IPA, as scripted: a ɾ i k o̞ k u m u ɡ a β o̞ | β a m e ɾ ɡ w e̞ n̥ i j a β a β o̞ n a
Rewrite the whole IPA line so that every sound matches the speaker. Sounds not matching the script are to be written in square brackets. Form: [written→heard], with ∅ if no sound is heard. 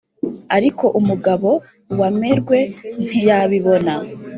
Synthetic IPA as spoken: a ɾ i k o̞ [k→ʔ] u m u ɡ a β o̞ | [β→w] a m e ɾ ɡ w e̞ n̥ i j a β [a→i] β o̞ n a